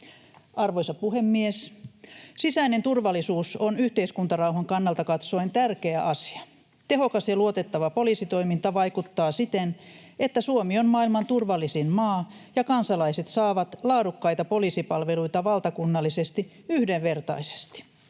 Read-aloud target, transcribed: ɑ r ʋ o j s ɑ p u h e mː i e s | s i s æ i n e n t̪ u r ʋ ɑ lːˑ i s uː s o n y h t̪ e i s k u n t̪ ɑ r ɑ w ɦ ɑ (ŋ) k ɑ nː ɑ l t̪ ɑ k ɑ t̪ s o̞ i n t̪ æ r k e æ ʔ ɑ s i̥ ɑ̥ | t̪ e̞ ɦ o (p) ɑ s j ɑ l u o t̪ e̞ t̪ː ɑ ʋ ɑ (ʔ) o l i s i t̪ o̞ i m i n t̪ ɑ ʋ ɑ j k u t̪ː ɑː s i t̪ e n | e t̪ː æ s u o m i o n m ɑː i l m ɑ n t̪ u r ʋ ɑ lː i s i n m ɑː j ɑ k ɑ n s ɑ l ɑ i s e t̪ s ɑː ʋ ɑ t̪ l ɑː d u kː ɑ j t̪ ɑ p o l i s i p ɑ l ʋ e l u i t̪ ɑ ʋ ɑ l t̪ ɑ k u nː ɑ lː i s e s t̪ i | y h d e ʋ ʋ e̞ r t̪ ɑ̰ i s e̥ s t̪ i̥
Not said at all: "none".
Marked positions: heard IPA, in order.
ŋ, k, p

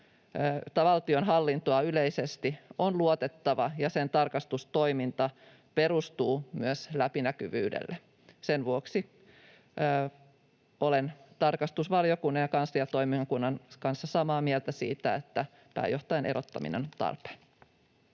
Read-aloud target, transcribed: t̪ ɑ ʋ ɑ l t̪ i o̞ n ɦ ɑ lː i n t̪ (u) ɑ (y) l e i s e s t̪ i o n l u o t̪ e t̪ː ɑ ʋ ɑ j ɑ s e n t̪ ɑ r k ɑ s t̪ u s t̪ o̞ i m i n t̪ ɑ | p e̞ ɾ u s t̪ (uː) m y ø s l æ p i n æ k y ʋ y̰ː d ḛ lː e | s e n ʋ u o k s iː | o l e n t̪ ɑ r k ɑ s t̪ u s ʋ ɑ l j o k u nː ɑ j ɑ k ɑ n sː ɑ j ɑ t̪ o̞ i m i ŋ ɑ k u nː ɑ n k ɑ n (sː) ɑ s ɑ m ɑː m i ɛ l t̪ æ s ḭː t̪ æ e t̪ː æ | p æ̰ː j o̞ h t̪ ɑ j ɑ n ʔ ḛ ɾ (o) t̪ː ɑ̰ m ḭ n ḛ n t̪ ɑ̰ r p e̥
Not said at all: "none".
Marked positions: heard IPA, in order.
o, y, uː, sː, o

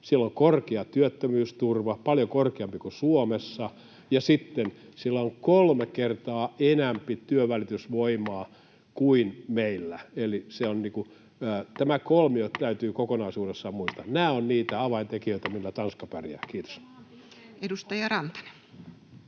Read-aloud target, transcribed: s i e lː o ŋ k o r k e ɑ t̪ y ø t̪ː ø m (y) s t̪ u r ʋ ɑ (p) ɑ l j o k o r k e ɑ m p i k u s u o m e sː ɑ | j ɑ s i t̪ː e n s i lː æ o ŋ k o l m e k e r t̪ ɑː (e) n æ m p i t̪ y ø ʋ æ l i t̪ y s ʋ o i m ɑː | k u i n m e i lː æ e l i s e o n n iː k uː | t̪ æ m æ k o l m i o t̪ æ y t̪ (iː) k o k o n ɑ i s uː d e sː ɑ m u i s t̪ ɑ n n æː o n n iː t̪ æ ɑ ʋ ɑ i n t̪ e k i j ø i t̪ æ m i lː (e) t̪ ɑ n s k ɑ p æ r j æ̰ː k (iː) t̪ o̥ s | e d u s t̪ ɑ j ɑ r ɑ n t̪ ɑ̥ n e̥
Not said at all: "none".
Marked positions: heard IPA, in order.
yː, p, e, yː, æ, iː

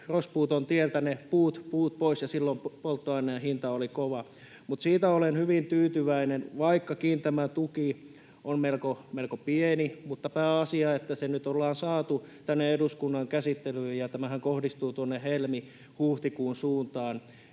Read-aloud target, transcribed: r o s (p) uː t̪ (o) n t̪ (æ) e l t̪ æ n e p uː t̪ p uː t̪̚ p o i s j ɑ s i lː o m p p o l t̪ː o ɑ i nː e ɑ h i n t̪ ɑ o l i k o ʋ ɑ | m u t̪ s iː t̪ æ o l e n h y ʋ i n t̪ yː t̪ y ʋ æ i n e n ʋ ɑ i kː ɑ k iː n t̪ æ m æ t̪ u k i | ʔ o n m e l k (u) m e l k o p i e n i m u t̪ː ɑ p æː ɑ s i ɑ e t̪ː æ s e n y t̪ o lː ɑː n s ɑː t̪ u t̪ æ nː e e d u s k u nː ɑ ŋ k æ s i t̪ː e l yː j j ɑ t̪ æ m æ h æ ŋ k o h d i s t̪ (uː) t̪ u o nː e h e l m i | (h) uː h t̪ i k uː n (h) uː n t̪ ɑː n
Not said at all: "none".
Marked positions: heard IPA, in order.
p, o, i, o, uː, h, s

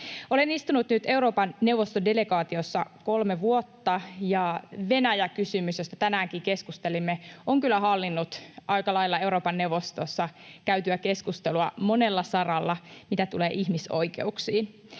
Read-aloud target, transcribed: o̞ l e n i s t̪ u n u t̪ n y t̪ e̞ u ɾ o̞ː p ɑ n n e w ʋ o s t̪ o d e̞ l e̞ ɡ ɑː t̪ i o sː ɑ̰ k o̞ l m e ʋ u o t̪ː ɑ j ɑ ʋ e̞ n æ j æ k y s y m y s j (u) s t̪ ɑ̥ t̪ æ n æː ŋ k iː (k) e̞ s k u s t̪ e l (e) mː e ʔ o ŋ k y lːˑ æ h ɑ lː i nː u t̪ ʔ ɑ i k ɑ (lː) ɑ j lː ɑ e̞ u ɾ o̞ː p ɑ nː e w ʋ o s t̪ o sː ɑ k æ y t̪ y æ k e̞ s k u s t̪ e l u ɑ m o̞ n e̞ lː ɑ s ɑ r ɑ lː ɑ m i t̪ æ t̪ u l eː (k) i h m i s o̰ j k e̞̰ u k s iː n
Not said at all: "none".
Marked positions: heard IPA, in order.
o, k, i, l, ʔ

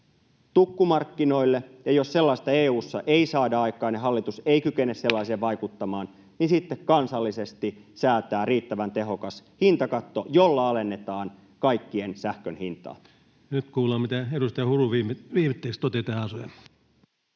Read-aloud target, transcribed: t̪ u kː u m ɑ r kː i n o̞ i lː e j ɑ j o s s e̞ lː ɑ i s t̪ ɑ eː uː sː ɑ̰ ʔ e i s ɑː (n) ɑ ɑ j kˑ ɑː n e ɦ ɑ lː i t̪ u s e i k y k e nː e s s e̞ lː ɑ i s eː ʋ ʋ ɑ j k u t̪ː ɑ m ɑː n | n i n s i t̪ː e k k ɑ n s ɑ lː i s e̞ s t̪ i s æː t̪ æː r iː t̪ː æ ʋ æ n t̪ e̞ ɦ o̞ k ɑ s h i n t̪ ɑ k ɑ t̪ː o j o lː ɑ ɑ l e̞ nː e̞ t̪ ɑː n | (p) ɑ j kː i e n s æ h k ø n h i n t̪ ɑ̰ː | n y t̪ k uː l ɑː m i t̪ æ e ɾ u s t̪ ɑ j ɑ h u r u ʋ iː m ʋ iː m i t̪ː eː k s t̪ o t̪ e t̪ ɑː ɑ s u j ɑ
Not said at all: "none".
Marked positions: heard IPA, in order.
d, k

